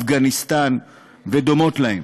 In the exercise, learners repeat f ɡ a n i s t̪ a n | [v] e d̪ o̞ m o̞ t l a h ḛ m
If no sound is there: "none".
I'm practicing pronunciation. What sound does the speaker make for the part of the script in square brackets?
v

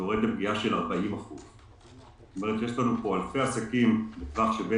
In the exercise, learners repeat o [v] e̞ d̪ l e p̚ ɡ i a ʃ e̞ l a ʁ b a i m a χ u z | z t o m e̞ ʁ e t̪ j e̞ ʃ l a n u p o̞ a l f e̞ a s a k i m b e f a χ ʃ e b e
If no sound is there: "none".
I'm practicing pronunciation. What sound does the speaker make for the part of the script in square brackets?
ʁ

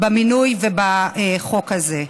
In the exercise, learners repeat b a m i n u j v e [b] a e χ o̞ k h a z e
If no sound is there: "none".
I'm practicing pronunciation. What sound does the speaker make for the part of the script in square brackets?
b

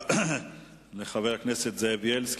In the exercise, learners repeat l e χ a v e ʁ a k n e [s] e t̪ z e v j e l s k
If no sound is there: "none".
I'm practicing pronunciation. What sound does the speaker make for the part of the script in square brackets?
s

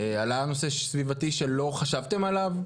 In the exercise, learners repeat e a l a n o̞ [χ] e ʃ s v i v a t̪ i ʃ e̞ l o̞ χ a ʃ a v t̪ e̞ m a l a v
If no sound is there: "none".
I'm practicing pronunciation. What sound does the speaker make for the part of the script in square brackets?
s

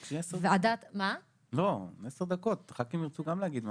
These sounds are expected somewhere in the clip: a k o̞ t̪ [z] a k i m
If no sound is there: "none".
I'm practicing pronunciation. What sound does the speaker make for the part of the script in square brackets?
ʁ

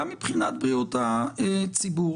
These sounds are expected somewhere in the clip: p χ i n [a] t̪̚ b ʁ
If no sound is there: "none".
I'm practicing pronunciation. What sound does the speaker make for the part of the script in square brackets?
a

